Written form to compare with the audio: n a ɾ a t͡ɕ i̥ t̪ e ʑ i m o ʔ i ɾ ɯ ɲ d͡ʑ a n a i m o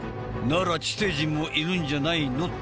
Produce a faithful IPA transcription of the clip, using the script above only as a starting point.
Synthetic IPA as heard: n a ɾ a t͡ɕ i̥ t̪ e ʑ i m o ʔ i ɾ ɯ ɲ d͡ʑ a n a i n o